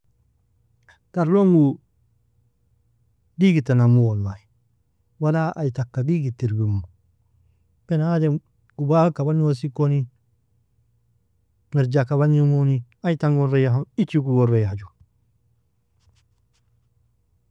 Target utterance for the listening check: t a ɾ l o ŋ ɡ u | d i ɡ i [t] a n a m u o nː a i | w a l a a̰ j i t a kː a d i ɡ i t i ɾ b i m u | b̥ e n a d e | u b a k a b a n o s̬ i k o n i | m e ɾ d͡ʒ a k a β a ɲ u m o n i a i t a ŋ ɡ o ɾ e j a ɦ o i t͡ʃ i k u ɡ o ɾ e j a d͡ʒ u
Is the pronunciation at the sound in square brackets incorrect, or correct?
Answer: correct